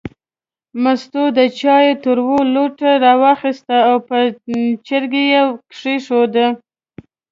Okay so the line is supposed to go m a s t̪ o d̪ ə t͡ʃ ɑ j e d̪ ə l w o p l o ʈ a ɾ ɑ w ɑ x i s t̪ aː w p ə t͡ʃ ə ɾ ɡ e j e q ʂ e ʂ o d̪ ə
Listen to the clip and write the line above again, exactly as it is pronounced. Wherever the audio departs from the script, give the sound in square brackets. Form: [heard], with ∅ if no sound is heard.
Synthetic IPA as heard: m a s t̪ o d̪ ə t͡ʃ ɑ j e [t̪] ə [ɾ] w o [∅] l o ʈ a ɾ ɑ w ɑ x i s t̪ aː w p ə t͡ʃ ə ɾ ɡ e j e [k] ʂ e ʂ o d̪ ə